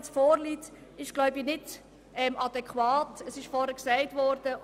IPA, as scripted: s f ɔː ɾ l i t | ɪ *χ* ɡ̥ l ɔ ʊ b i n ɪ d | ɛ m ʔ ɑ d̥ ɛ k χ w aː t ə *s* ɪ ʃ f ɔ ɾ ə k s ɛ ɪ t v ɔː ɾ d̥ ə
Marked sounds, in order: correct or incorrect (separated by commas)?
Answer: incorrect, correct